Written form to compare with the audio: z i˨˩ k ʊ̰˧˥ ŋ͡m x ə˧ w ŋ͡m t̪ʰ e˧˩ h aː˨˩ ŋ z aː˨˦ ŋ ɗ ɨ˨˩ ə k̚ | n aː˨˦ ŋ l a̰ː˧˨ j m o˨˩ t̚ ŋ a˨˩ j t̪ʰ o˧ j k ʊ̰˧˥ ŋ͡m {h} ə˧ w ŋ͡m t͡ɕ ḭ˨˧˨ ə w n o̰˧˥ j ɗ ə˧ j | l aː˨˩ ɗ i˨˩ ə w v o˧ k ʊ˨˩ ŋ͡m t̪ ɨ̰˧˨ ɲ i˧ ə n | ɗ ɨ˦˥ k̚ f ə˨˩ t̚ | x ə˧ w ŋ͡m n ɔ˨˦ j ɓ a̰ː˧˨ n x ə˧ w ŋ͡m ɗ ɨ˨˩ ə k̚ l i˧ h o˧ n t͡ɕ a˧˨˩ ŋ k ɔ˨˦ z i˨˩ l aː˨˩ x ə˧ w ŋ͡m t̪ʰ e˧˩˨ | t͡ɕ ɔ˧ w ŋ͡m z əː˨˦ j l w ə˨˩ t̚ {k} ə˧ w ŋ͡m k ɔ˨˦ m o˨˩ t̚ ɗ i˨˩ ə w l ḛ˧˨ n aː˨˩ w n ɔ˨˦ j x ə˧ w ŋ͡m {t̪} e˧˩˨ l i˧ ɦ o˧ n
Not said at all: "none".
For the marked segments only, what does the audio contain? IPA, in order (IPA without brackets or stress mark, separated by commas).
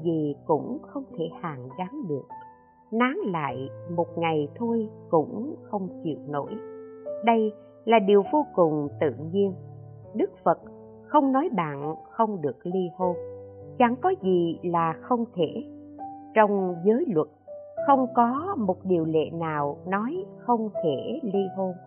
x, x, t̪ʰ